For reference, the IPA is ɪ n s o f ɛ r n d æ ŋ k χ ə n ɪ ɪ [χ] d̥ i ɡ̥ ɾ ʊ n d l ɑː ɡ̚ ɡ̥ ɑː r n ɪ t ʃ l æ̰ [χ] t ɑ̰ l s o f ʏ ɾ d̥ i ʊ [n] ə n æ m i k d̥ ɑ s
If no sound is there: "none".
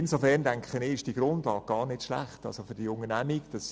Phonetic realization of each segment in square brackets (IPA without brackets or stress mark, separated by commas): ʃ, χ, ŋ